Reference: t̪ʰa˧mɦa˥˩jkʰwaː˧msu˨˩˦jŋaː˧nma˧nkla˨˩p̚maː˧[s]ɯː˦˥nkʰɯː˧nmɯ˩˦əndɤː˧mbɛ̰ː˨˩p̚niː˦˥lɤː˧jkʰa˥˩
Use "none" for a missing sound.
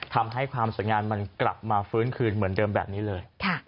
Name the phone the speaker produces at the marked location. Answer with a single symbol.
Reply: f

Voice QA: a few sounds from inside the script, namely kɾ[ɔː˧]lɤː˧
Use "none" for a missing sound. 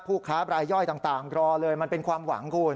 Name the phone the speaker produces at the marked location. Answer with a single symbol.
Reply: ɔː˧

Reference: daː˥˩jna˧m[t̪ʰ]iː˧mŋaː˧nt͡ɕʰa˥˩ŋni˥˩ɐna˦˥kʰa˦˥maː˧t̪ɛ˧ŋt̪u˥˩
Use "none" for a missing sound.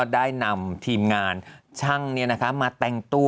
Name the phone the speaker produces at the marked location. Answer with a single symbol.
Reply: t̪ʰ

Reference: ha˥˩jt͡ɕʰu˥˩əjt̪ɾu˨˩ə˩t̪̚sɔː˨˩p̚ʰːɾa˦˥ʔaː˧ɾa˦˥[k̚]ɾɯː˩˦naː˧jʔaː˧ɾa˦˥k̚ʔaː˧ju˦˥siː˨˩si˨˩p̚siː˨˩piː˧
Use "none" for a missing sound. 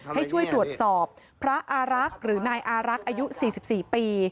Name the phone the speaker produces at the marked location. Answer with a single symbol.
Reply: k̚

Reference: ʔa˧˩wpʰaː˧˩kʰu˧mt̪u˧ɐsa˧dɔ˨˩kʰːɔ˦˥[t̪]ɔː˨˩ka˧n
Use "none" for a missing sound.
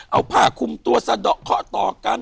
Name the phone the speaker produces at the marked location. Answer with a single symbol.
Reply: t̪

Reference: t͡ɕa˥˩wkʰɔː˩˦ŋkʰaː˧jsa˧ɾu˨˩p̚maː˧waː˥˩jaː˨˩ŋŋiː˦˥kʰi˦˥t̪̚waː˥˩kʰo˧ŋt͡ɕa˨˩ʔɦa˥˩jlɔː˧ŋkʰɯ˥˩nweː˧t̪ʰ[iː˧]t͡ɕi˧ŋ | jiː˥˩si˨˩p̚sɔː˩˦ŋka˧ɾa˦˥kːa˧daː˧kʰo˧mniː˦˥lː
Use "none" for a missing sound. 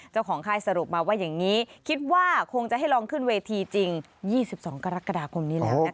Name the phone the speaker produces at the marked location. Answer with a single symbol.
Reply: iː˧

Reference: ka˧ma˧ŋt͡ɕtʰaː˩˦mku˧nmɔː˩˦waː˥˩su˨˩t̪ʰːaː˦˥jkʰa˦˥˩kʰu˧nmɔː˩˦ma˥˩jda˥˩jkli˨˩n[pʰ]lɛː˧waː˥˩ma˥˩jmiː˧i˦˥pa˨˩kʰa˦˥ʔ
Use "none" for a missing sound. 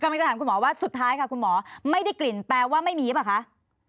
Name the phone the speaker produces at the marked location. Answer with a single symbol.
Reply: p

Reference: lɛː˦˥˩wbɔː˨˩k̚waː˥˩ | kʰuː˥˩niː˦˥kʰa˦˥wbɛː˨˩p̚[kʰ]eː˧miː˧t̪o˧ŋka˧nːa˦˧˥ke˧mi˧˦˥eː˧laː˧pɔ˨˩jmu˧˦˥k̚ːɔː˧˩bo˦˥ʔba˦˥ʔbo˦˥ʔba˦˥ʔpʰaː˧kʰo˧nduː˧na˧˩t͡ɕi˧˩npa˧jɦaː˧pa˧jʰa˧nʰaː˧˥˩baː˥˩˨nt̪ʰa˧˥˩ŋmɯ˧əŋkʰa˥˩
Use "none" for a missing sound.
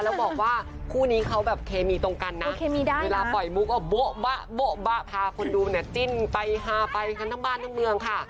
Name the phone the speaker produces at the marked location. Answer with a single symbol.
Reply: kʰ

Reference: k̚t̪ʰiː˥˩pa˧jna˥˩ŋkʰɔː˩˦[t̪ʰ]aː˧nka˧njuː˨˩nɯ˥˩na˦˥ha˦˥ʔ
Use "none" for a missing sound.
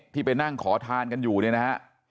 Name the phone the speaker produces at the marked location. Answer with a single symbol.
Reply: t̪ʰ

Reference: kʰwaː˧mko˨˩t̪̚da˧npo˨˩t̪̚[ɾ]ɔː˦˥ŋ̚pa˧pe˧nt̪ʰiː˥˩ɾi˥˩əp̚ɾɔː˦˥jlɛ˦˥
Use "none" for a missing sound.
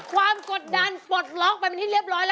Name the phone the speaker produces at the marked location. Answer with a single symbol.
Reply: l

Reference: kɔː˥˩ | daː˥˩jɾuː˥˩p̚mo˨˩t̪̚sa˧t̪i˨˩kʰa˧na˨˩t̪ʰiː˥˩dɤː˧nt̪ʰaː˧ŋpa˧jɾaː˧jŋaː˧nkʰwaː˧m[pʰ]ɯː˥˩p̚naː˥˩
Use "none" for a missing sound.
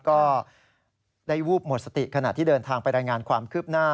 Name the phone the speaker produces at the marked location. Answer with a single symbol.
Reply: kʰ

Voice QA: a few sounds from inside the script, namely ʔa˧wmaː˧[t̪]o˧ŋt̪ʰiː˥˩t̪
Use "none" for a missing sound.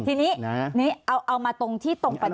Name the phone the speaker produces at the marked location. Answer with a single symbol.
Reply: t̪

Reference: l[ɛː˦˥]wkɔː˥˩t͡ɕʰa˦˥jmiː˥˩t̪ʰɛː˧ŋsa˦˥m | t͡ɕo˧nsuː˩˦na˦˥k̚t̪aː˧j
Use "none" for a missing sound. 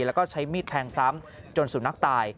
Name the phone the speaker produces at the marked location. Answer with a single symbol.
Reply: ɛ˦˥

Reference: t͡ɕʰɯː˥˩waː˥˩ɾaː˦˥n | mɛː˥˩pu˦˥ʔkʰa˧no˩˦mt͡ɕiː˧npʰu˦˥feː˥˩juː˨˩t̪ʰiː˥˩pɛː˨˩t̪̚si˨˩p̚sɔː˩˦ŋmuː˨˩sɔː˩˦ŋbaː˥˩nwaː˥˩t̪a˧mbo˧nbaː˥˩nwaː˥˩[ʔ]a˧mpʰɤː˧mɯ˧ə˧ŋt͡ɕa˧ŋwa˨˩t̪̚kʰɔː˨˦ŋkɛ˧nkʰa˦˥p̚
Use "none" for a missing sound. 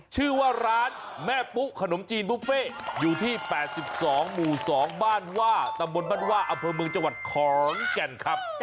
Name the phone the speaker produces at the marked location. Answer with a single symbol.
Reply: ʔ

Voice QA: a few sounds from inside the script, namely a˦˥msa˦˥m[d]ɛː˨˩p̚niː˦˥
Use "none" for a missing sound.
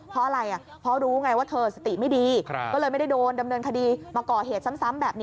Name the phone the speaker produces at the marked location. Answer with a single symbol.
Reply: b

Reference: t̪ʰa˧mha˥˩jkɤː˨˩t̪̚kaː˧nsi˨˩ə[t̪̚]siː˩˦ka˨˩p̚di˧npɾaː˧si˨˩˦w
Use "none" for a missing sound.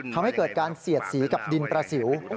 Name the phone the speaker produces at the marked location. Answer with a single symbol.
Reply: t̪̚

